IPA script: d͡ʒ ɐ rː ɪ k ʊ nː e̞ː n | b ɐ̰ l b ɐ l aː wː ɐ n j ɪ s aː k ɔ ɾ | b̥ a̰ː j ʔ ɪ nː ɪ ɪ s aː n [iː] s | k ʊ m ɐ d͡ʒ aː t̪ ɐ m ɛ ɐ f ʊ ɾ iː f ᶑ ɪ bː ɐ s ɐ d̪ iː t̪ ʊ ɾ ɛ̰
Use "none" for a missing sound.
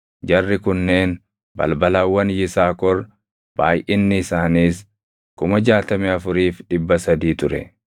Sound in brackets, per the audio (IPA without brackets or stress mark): iː